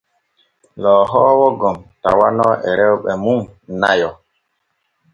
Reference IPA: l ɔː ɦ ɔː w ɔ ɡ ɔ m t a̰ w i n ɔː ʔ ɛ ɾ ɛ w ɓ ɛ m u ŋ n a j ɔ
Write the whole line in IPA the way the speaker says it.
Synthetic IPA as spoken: l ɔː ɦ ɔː w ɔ ɡ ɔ m t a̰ w a n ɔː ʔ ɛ ɾ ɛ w ɓ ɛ m u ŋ n a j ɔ